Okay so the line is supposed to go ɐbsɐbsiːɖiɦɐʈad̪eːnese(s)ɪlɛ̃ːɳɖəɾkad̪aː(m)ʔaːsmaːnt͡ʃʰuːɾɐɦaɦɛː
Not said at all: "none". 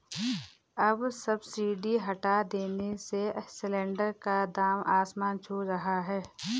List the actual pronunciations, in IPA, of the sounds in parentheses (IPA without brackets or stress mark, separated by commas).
s, m